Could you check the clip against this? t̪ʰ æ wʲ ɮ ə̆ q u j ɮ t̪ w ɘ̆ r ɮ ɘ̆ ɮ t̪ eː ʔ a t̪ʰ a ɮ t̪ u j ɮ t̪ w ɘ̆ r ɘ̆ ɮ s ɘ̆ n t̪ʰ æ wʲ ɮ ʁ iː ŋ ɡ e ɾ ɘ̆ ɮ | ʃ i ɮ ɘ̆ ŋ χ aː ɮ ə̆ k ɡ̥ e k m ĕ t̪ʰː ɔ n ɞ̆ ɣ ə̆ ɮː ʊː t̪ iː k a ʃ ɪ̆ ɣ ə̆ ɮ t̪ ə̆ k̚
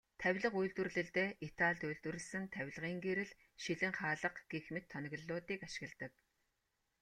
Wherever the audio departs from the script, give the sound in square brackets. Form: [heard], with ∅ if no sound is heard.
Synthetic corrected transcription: t̪ʰ æ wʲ ɮ ə̆ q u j ɮ t̪ w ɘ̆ r ɮ ɘ̆ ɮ t̪ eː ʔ [i] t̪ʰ a ɮ t̪ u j ɮ t̪ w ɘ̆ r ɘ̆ ɮ s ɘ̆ n t̪ʰ æ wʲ ɮ ʁ iː ŋ ɡ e ɾ ɘ̆ ɮ | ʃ i ɮ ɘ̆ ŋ χ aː ɮ ə̆ [q] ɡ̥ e [x] m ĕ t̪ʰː ɔ n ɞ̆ ɣ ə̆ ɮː ʊː t̪ iː k a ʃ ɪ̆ ɣ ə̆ ɮ t̪ ə̆ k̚